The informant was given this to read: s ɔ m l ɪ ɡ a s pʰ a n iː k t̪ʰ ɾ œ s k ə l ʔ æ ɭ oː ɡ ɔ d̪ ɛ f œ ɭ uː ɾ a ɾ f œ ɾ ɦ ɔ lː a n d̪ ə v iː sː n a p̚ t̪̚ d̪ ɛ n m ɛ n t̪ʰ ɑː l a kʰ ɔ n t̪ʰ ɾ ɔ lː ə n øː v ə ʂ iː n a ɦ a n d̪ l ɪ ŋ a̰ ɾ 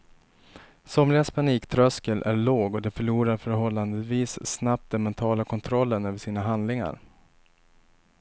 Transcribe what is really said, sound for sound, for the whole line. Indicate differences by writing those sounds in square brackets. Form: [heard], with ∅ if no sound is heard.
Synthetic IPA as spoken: s ɔ m l ɪ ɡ a s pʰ a n iː k t̪ʰ ɾ œ s k ə l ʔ æ ɭ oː ɡ ɔ d̪ ɛ f œ ɭ uː ɾ a ɾ f œ ɾ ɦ ɔ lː a n d̪ ə v iː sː n a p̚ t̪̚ d̪ ɛ n m ɛ n t̪ʰ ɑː l a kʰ ɔ n t̪ʰ ɾ ɔ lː ə n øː v ə ʂ iː n a ɦ a n d̪ l ɪ ŋ a̰ ɾ

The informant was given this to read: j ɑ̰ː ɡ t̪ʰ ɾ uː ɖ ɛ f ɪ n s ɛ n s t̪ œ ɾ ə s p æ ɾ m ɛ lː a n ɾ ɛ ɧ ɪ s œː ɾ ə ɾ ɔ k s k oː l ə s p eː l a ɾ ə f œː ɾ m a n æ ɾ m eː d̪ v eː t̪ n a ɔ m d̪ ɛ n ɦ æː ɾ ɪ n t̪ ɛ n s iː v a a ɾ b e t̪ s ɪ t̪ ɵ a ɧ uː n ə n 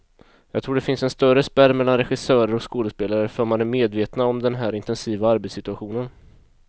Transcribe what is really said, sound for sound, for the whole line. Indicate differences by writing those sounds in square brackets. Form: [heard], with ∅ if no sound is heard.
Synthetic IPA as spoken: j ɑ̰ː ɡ t̪ʰ ɾ uː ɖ ɛ f ɪ n s ɛ n s t̪ œ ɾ ə s p æ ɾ m ɛ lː a n ɾ ɛ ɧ ɪ s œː ɾ ə ɾ ɔ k s k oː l ə s p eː l a ɾ ə f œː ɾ m a n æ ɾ m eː d̪ v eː t̪ n a ɔ m d̪ ɛ n ɦ æː ɾ ɪ n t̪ ɛ n s iː v a a ɾ b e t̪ s ɪ t̪ ɵ a ɧ uː n ə n

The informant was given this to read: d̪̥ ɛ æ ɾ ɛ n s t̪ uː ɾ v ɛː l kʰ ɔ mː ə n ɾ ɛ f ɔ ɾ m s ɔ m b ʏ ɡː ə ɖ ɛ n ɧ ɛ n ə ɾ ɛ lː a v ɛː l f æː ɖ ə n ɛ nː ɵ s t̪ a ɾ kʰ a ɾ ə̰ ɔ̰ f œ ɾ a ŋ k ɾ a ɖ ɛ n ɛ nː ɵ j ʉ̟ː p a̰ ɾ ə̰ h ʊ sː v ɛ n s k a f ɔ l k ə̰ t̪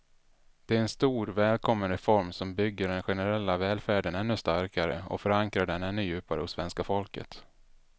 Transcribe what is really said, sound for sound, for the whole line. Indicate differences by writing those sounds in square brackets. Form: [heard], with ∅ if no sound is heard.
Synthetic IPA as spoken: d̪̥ ɛ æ ɾ ɛ n s t̪ uː ɾ v ɛː l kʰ ɔ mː ə n ɾ ɛ f ɔ ɾ m s ɔ m b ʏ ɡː ə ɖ ɛ n ɧ ɛ n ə ɾ ɛ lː a v ɛː l f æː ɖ ə n ɛ nː ɵ s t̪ a ɾ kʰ a ɾ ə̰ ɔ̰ f œ ɾ a ŋ k ɾ a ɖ ɛ n ɛ nː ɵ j ʉ̟ː p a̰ ɾ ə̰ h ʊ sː v ɛ n s k a f ɔ l k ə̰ t̪

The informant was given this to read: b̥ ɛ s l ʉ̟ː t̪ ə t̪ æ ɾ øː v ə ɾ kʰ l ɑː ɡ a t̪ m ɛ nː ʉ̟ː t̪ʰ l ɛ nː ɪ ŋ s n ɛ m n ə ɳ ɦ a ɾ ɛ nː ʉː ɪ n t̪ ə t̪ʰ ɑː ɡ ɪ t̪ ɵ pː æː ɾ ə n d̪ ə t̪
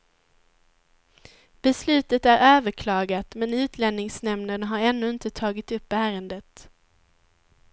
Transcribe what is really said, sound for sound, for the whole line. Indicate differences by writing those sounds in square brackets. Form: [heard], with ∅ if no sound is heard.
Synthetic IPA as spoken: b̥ ɛ s l ʉ̟ː t̪ ə t̪ æ ɾ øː v ə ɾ kʰ l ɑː ɡ a t̪ m ɛ [n] ʉ̟ː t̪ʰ l ɛ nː ɪ ŋ s n ɛ m n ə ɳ ɦ a ɾ ɛ nː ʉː ɪ n t̪ ə t̪ʰ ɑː ɡ ɪ t̪ ɵ pː æː ɾ ə n d̪ ə t̪

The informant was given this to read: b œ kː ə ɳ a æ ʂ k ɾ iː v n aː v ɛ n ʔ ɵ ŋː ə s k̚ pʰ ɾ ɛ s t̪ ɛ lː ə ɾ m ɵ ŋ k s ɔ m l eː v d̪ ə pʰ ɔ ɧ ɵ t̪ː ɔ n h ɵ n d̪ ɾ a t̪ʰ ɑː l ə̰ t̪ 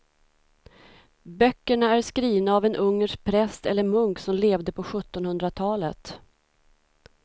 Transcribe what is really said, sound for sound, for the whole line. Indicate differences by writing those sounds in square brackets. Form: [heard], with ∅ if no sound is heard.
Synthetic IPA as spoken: b œ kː ə ɳ a æ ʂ k ɾ iː v n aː v ɛ n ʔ ɵ ŋː ə [ʂ] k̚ pʰ ɾ ɛ s t̪ ɛ lː ə ɾ m ɵ ŋ k s ɔ m l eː v d̪ ə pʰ ɔ ɧ ɵ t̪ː ɔ n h ɵ n d̪ ɾ a t̪ʰ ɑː l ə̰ t̪

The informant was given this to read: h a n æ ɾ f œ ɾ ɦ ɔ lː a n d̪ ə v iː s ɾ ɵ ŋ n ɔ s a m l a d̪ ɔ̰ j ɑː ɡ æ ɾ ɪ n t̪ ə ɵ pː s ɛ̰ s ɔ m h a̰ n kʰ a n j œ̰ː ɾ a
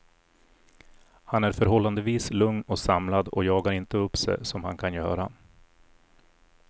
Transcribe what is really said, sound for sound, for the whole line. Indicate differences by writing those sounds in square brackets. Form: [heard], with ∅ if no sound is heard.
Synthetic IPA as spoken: h a n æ ɾ f œ ɾ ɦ ɔ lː a n d̪ ə v iː s [l] ɵ ŋ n ɔ s a m l a d̪ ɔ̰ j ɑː ɡ [a] ɾ ɪ n t̪ ə ɵ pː s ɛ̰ s ɔ m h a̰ n kʰ a n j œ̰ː ɾ a

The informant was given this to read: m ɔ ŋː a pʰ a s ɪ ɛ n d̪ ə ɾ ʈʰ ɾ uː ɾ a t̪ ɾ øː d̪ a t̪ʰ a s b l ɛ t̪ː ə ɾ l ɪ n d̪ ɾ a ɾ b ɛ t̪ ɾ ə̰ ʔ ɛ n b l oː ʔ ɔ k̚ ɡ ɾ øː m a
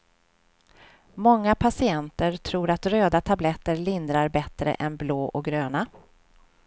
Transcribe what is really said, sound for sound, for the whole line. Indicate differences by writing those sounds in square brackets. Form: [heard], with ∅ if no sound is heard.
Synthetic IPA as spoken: m ɔ ŋː a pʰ a s ɪ ɛ n [t̪] ə ɾ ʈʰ ɾ uː ɾ a t̪ ɾ øː d̪ a t̪ʰ a [∅] b l ɛ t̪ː ə ɾ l ɪ n d̪ ɾ a ɾ b ɛ t̪ ɾ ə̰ ʔ ɛ n b l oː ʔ ɔ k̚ ɡ ɾ øː [n] a

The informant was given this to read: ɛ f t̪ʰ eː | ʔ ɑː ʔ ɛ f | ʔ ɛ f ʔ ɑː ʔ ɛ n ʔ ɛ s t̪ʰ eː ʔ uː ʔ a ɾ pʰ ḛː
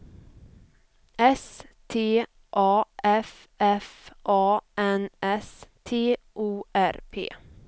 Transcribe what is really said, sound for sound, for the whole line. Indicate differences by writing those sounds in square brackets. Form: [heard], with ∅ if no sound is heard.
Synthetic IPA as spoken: ɛ [s] t̪ʰ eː | ʔ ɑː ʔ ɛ f | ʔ ɛ f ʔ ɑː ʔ ɛ n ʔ ɛ s t̪ʰ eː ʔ uː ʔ [æ] ɾ pʰ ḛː

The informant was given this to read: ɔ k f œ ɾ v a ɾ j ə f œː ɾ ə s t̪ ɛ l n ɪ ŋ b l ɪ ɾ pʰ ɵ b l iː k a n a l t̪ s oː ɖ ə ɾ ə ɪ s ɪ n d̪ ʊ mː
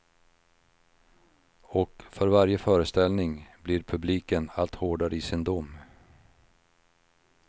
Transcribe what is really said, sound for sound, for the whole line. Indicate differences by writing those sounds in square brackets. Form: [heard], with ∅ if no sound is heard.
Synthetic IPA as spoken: ɔ k f œ ɾ v a ɾ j ə f œː ɾ ə s t̪ ɛ l n ɪ ŋ b l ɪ ɾ pʰ ɵ b l iː k [ə] n a l t̪ [h] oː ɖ [a] ɾ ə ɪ s ɪ n d̪ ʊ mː

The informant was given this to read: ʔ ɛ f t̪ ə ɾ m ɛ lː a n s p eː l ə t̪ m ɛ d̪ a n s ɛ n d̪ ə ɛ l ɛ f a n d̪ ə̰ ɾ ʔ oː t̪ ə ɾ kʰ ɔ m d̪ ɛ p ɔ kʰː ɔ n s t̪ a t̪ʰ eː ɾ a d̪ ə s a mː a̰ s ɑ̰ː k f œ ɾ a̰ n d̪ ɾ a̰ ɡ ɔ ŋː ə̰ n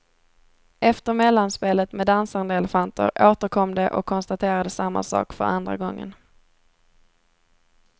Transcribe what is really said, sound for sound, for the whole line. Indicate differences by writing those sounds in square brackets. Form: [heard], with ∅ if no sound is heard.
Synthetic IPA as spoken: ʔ ɛ f t̪ ə ɾ m ɛ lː a n s p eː l ə t̪ m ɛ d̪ a n s [a] n d̪ ə ɛ l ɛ f a n [t̪] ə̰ ɾ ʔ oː t̪ ə ɾ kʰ ɔ m d̪ ɛ [ʔ] ɔ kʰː ɔ n s t̪ a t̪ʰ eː ɾ a d̪ ə s a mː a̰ s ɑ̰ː k f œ ɾ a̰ n d̪ ɾ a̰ ɡ ɔ ŋː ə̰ n

